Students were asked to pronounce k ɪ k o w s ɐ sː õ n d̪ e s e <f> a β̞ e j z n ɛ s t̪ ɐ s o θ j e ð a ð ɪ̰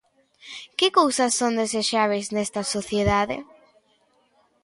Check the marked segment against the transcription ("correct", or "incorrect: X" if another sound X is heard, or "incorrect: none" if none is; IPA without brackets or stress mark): incorrect: ʃ